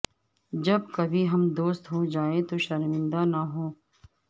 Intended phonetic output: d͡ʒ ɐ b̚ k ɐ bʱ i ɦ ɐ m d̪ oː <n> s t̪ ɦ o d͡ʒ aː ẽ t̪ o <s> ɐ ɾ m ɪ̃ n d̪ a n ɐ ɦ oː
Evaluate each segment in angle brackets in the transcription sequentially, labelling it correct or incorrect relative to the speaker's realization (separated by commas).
incorrect, incorrect